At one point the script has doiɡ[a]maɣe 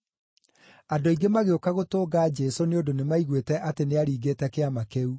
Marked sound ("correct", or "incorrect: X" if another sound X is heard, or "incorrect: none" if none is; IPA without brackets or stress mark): incorrect: e